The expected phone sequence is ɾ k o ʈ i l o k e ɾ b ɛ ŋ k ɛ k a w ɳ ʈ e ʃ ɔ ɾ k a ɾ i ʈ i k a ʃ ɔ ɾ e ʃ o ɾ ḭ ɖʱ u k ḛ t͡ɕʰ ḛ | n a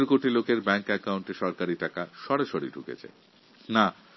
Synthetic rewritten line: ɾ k o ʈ i l o k e ɾ b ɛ ŋ k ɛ k a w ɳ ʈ e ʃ ɔ ɾ k a ɾ i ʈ a k a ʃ ɔ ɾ e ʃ o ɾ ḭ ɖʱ u k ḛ t͡ɕʰ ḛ | n a